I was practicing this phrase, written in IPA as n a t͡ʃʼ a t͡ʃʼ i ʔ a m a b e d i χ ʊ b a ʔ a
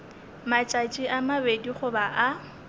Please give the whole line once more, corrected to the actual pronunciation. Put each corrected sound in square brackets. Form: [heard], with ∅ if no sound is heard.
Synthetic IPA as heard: [m] a t͡ʃʼ a t͡ʃʼ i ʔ a m a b e d i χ ʊ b a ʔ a